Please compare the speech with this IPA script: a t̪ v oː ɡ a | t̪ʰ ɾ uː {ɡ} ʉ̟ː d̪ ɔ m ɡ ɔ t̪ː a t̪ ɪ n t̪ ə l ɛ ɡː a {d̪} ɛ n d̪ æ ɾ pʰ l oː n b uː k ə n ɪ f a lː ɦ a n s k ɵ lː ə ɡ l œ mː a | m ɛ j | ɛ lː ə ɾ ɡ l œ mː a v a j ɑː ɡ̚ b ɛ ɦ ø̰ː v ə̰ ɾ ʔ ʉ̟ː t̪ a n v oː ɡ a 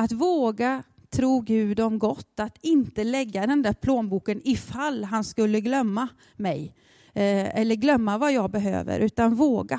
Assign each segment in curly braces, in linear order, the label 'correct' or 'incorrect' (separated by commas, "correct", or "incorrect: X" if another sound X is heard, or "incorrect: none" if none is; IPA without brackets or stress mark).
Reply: correct, correct